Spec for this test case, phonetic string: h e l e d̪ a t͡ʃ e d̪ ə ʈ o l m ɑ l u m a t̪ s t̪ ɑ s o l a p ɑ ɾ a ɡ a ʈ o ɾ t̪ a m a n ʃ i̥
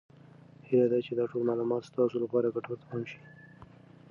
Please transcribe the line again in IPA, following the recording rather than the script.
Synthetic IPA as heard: h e l a d̪ a t͡ʃ e d̪ ɑ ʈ o l m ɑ l u m ɑ t̪ s t̪ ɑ s o l a p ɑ ɾ a ɡ a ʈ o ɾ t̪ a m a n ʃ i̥